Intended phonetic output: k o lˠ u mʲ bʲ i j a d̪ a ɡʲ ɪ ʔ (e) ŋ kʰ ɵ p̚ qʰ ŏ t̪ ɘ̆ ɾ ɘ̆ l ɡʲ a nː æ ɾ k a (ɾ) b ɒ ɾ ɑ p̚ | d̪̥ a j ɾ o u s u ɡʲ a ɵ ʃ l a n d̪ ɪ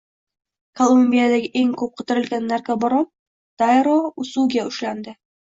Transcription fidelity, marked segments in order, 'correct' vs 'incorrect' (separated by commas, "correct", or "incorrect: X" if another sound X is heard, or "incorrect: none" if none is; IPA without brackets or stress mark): correct, incorrect: none